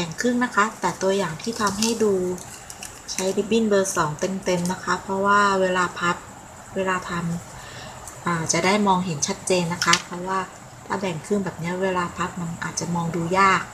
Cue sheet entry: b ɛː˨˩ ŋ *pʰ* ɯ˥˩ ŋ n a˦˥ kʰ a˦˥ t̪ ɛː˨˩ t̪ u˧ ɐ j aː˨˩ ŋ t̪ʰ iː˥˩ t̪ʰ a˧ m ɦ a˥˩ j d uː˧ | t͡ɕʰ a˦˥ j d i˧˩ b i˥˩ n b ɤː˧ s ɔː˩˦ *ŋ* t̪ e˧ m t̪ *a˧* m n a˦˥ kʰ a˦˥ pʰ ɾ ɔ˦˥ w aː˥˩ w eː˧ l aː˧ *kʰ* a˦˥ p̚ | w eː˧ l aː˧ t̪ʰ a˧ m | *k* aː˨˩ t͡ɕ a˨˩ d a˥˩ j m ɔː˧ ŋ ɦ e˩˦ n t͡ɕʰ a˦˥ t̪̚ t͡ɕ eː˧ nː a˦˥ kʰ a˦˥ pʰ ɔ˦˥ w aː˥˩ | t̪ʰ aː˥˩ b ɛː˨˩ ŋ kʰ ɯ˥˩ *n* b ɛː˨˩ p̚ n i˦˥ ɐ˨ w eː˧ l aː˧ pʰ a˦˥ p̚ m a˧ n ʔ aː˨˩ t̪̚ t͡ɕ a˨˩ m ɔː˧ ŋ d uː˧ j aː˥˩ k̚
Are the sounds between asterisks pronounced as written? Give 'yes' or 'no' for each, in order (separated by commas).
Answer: no, yes, no, no, no, no